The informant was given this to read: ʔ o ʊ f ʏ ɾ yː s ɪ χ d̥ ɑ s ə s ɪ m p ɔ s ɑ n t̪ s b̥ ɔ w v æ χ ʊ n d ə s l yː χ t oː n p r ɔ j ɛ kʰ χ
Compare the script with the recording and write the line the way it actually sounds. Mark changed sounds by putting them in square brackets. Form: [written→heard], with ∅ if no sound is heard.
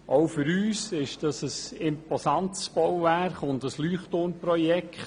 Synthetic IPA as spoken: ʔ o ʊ f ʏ ɾ yː s ɪ [χ→ʃ] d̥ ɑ s ə s ɪ m p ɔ s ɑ n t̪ s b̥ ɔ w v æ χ ʊ n d ə s l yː χ t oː n p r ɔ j ɛ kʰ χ